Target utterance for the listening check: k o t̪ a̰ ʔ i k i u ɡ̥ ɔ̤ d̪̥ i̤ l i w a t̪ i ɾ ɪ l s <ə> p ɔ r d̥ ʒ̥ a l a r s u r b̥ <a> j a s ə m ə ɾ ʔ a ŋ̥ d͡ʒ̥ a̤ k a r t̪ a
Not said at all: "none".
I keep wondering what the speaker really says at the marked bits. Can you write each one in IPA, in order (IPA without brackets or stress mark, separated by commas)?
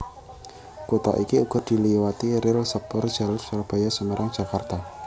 ə, a